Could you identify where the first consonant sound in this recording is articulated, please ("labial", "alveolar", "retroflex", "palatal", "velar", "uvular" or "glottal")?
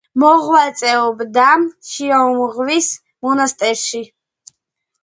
labial